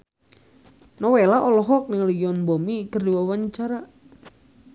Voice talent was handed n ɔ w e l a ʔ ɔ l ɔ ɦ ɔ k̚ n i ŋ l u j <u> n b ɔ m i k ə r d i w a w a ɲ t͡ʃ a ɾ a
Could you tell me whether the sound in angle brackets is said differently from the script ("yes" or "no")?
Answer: yes